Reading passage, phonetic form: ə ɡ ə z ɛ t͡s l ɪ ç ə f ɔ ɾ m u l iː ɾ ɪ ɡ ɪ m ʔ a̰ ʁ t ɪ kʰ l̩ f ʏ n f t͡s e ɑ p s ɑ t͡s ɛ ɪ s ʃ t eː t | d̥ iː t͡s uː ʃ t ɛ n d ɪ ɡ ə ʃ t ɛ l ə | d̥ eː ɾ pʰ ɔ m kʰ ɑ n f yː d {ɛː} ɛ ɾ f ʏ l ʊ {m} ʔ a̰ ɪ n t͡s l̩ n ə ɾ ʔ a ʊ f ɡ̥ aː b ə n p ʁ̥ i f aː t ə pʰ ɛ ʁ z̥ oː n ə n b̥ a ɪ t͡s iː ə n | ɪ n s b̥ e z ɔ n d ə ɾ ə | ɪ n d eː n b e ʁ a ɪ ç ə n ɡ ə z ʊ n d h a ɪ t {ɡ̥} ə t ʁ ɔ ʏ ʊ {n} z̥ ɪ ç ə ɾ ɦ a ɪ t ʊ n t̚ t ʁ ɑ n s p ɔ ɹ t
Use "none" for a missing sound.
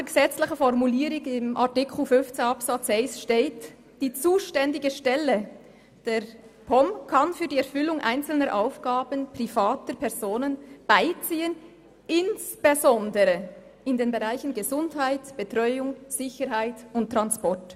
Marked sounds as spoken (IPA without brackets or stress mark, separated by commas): iː, ŋ, b̥, ŋ